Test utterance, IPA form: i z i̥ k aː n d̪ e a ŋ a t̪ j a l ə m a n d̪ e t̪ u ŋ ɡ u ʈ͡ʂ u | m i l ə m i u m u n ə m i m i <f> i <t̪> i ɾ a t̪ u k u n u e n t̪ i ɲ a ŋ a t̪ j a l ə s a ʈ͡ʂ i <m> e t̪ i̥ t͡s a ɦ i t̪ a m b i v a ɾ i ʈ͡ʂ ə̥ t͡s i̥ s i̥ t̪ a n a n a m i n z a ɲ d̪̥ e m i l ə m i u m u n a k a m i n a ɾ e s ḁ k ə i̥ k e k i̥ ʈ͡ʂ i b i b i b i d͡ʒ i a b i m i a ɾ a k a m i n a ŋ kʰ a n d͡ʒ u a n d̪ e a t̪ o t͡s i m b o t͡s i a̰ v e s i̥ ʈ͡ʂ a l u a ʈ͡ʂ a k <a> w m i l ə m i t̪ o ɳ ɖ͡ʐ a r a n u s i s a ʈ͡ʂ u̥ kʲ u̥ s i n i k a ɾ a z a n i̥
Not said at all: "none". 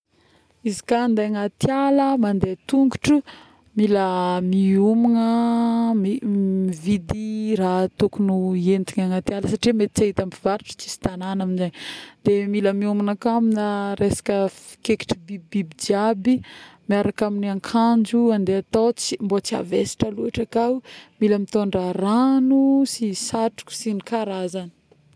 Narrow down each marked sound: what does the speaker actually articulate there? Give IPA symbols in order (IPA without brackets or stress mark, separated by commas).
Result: v, d̪, m, a